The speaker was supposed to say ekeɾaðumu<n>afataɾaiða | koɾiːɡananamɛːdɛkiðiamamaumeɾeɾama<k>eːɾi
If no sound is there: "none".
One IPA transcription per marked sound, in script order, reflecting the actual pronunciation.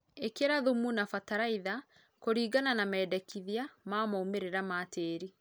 n, t

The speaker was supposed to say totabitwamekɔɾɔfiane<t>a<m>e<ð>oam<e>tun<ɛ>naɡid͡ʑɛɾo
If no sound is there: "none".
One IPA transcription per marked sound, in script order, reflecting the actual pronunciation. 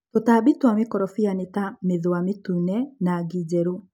t, m, ð, e, ɛ

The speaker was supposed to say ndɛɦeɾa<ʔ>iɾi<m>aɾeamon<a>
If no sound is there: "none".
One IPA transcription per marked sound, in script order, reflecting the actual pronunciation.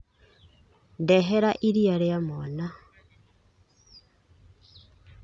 ʔ, none, a

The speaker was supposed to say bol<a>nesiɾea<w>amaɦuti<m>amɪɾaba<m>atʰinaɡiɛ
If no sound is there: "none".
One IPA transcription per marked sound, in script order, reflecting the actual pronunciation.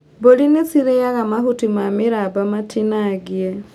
i, ɣ, m, m

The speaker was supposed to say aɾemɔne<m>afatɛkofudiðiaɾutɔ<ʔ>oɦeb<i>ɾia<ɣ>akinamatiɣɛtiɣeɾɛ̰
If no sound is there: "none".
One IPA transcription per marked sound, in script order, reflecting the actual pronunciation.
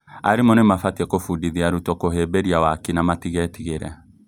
m, k, e, w

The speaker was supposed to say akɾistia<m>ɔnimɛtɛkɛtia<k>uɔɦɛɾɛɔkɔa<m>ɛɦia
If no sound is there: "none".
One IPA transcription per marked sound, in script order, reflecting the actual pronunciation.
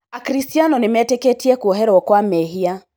n, k, m

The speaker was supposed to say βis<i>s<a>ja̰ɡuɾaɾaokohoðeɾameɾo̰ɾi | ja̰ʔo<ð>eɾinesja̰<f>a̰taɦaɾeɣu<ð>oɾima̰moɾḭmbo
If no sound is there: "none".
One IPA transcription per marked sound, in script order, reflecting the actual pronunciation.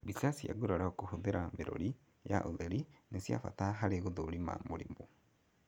a, i, ð, f, ð

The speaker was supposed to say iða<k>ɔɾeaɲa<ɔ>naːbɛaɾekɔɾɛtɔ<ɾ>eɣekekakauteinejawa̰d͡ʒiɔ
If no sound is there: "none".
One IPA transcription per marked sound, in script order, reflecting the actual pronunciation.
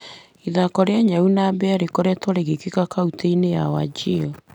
k, u, ɾ

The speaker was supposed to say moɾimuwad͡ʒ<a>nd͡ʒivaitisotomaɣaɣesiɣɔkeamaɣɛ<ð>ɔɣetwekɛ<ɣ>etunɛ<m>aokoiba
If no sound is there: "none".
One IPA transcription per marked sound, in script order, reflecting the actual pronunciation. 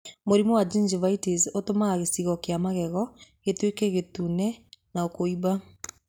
i, ɣ, ɣ, n

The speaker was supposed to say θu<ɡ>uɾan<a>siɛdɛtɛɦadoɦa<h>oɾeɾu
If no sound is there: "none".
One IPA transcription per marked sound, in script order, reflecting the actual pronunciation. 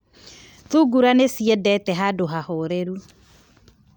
ɡ, e, h

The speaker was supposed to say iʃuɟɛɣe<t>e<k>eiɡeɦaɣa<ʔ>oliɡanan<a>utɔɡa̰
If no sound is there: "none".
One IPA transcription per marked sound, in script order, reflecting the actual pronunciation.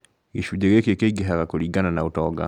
k, k, k, a

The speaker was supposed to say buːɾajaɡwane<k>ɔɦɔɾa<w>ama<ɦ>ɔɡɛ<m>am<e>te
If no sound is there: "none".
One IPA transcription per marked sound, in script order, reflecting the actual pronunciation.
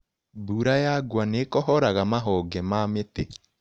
k, ɣ, ɦ, m, e

